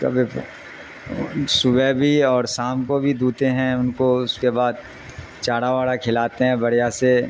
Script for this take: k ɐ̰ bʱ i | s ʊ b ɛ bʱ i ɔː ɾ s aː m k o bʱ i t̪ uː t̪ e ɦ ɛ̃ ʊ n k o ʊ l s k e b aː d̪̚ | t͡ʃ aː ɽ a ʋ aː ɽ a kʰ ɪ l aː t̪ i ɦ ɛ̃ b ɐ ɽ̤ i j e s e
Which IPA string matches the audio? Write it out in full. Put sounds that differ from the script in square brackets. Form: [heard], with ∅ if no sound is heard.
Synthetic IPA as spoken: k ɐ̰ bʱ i | s ʊ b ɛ bʱ i ɔː ɾ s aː m k o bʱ i [d̪] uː t̪ e ɦ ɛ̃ ʊ n k o ʊ [∅] s k e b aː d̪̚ | t͡ʃ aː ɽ a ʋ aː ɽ a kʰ ɪ l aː t̪ [e] ɦ ɛ̃ b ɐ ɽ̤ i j [a] s e